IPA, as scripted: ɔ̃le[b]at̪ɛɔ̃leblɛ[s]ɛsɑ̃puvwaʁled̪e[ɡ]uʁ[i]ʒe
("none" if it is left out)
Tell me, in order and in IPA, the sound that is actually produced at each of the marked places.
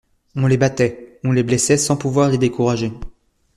b, s, k, a

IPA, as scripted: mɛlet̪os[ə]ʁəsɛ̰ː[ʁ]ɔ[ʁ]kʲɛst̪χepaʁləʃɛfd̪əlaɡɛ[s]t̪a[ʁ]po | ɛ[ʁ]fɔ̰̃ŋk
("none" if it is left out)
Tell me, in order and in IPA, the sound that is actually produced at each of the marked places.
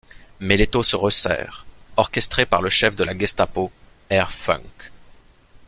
ə, ʁ, ʁ, s, none, ʁ

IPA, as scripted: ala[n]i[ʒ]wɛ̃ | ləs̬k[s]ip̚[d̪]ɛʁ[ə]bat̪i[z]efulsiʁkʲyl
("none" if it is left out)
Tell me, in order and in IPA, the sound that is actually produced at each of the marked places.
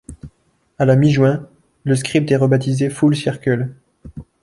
m, ʒ, χ, t̪, ə, z

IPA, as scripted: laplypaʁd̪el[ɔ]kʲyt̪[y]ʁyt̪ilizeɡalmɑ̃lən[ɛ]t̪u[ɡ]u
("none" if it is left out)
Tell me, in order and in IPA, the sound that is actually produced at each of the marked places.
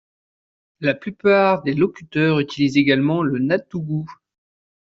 ɔ, œ, a, ɡ

